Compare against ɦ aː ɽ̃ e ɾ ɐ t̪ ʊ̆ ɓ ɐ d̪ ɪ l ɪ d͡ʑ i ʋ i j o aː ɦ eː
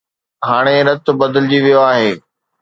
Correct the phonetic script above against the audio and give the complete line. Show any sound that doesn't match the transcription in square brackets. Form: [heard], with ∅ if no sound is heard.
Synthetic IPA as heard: ɦ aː ɽ̃ e ɾ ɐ t̪ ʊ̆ [b] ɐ d̪ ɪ l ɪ d͡ʑ i ʋ i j o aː ɦ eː